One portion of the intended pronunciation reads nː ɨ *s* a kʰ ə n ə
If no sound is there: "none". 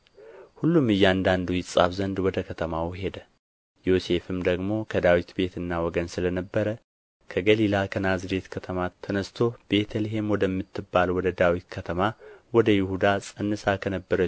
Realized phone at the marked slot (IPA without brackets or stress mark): s